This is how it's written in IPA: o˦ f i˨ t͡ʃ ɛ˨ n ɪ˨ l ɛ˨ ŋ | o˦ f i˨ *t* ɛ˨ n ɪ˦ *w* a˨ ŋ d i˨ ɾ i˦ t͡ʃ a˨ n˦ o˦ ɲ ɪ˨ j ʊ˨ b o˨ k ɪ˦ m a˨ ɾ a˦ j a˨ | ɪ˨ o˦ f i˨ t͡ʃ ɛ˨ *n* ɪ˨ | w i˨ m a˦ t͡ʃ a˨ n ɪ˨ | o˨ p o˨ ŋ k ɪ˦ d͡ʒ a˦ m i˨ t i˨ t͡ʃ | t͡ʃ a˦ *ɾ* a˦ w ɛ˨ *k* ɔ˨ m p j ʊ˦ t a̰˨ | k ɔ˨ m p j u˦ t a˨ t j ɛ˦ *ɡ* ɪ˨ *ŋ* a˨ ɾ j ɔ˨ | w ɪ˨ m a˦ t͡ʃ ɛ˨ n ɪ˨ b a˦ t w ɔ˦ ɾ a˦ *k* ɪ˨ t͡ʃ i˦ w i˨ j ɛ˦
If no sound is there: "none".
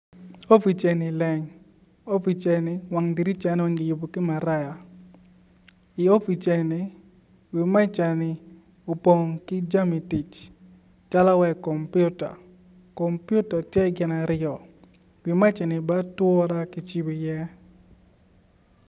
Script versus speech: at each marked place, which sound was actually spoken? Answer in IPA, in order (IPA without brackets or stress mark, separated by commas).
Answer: t͡ʃ, w, n, l, k, ɡ, n, k